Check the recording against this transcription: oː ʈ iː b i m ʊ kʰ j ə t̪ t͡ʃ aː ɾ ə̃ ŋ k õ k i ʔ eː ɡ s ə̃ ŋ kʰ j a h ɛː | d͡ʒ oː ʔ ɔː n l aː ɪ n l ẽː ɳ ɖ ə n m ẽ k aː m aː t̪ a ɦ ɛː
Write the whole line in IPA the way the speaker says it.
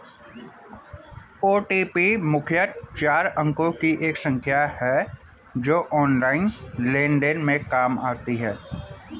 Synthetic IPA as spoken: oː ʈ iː p i m ʊ kʰ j ə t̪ t͡ʃ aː ɾ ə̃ ŋ k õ k i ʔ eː k s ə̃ ŋ kʰ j a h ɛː | d͡ʒ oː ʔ ɔː n l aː ɪ n l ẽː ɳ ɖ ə n m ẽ k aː m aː t̪ i ɦ ɛː